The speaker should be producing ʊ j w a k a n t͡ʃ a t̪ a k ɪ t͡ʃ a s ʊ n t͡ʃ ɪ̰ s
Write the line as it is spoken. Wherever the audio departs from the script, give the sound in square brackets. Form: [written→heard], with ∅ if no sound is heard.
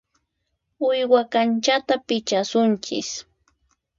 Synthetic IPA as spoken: ʊ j w a k a n t͡ʃ a t̪ a [k→p] ɪ t͡ʃ a s ʊ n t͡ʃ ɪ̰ s